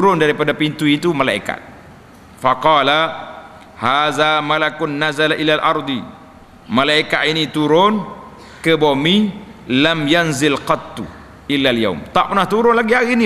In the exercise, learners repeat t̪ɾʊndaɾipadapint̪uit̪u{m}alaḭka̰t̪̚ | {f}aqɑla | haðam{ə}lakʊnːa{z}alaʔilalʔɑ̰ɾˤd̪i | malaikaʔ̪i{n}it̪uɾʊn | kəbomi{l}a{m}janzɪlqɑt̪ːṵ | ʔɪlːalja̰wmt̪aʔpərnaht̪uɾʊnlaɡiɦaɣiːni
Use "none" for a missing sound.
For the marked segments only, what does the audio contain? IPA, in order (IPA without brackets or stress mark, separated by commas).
m, f, a, z, n, l, m